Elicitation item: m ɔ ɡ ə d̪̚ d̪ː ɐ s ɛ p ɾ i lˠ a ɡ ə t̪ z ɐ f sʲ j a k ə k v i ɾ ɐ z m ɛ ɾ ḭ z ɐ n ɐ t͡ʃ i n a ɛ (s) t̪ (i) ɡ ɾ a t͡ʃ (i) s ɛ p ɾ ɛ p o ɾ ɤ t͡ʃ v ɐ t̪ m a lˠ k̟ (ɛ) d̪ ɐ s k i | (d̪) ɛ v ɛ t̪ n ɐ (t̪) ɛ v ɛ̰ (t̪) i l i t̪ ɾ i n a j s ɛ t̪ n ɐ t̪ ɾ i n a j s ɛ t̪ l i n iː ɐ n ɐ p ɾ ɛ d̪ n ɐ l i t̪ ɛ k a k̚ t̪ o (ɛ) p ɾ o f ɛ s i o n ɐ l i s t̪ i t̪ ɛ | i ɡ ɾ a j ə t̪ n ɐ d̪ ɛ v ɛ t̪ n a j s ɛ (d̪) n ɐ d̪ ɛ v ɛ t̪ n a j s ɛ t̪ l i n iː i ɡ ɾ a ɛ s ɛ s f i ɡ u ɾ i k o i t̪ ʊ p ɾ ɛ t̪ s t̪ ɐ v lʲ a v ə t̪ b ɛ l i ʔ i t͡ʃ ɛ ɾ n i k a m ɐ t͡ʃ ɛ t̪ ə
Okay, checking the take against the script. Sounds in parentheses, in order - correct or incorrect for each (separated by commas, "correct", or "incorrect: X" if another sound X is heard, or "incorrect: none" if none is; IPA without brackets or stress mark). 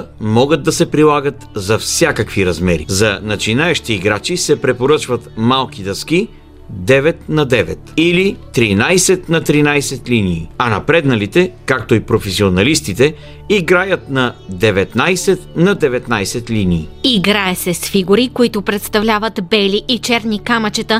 incorrect: ʃ, incorrect: iː, correct, incorrect: i, correct, incorrect: d̪, correct, incorrect: i, incorrect: t̪